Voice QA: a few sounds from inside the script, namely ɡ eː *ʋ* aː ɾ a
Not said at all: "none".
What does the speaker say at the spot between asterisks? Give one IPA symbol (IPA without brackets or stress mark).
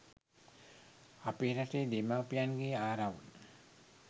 none